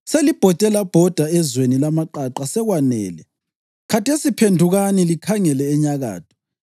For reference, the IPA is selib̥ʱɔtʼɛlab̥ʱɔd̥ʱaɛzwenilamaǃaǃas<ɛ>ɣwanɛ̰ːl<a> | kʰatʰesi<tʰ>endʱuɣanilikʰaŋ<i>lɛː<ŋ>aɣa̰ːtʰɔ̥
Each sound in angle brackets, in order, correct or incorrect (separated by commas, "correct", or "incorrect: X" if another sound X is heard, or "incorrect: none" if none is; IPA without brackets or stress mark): correct, incorrect: ɛ, incorrect: pʰ, incorrect: ɛ, incorrect: ɲ